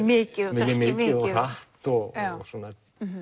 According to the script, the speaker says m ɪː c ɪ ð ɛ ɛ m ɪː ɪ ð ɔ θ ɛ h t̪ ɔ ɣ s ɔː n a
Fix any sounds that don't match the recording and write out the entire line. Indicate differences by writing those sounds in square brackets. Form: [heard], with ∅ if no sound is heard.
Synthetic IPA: m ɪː c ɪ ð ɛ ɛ m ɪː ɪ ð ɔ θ [a] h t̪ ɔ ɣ s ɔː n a